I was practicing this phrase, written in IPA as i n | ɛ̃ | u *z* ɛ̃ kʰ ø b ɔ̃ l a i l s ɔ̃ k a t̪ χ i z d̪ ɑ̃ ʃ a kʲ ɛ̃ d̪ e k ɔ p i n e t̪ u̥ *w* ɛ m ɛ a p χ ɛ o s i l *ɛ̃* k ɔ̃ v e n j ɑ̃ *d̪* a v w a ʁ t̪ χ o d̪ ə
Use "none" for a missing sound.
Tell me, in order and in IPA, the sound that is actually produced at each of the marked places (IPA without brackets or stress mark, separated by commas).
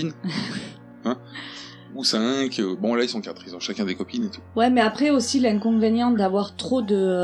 s, w, ɛ̃, d̪